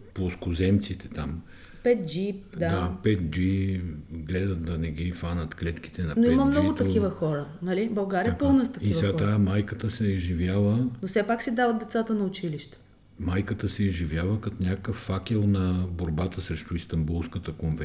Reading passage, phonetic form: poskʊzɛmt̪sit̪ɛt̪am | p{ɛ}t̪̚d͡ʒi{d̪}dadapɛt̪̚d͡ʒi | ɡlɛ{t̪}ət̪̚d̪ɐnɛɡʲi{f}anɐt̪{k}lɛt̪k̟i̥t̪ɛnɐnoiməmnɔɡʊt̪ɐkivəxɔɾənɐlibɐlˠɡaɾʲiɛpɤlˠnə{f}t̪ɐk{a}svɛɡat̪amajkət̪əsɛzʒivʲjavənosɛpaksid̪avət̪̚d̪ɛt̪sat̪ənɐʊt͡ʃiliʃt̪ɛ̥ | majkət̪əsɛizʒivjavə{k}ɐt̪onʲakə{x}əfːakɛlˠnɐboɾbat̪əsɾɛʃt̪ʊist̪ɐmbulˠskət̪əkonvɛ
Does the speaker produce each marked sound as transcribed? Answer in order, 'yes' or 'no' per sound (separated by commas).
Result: yes, yes, no, yes, yes, no, no, yes, no